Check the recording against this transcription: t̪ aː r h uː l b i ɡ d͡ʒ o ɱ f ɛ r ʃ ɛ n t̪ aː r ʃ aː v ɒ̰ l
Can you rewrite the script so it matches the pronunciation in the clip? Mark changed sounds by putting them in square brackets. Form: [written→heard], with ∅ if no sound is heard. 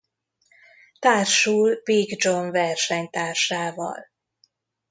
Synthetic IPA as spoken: t̪ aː r [h→ʃ] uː l b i ɡ d͡ʒ o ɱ [f→v] ɛ r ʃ ɛ [n→ɲ] t̪ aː r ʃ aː v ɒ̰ l